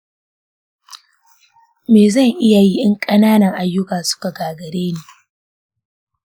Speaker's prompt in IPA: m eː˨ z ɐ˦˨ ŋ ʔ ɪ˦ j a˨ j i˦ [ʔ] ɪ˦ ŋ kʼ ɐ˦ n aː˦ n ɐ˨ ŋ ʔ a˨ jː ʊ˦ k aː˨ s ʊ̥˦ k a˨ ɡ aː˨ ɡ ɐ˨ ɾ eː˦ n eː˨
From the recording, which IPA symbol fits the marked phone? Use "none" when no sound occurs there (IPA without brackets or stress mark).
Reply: ʔ